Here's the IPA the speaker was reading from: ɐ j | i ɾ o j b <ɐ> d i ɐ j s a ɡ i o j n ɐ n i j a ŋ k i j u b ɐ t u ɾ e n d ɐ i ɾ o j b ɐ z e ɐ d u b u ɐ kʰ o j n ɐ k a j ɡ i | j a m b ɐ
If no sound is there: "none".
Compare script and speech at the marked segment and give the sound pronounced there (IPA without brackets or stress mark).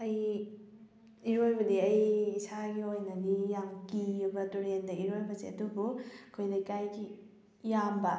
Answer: ɐ